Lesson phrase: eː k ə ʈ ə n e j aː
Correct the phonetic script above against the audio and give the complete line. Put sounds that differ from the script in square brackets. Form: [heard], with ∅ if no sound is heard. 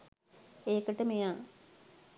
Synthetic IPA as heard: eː k ə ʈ ə [m] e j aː